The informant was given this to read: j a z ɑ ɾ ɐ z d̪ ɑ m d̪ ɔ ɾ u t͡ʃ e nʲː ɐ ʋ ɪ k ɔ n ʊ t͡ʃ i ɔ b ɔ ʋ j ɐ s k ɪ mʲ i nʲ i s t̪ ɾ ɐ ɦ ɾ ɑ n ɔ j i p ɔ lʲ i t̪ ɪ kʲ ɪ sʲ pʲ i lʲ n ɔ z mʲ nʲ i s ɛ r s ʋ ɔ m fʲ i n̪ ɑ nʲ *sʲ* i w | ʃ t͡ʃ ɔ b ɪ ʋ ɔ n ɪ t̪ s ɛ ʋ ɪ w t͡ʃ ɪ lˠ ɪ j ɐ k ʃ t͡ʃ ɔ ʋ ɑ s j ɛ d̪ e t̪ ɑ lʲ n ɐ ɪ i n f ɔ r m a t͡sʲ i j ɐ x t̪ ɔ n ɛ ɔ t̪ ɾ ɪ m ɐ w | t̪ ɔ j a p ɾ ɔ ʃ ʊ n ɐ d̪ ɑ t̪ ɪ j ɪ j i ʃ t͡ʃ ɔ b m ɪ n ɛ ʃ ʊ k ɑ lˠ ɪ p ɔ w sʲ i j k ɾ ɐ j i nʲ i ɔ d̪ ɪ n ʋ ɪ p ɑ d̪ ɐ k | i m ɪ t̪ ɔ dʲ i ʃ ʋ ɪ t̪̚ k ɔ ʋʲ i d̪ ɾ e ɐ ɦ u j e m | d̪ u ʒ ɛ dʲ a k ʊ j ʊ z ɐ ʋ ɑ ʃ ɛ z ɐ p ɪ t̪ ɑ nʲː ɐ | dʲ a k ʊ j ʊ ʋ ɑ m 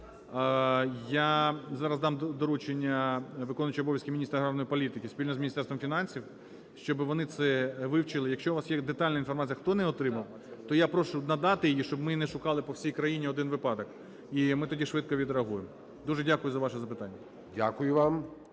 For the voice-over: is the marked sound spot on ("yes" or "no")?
yes